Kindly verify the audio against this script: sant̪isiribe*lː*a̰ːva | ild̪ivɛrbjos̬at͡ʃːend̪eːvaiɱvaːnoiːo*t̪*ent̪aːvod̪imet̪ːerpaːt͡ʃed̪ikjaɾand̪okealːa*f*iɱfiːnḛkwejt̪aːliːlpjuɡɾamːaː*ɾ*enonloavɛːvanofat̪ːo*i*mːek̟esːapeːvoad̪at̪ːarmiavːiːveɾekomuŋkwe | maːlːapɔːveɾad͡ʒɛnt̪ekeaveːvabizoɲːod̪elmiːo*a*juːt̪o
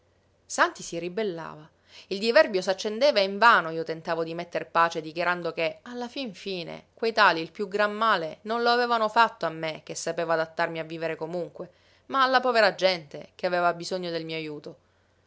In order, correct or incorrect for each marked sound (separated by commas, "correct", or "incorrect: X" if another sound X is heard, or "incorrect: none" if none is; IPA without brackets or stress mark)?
correct, correct, correct, incorrect: l, incorrect: a, correct